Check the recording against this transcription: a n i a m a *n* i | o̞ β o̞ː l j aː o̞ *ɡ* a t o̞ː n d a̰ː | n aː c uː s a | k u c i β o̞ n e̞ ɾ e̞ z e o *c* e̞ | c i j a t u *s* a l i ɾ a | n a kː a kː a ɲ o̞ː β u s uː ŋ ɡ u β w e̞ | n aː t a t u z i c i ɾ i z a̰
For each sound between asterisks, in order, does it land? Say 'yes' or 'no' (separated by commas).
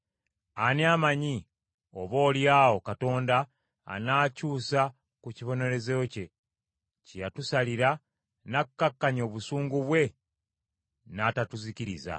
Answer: no, no, yes, yes